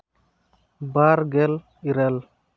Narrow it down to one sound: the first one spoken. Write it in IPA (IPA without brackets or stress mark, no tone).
b